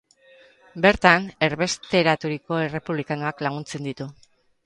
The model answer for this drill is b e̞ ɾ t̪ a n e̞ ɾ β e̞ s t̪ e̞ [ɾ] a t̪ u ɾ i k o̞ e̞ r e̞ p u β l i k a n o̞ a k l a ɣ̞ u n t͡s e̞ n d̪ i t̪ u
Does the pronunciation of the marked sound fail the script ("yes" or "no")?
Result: no